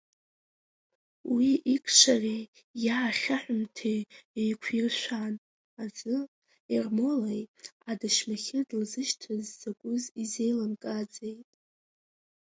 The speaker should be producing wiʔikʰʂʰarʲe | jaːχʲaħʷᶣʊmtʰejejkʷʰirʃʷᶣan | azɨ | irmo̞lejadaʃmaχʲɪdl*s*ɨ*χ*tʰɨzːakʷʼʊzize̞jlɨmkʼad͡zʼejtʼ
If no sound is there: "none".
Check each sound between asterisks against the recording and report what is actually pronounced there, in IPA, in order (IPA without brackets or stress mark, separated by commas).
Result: z, ʃ